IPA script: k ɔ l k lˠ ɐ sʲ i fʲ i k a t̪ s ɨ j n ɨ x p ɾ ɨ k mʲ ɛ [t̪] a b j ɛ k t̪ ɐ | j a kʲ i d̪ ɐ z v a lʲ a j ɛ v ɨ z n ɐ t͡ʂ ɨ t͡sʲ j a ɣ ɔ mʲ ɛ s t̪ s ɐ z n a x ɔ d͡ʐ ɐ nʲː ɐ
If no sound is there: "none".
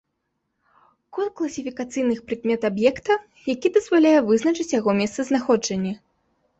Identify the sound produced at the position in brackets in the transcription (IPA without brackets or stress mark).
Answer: t̪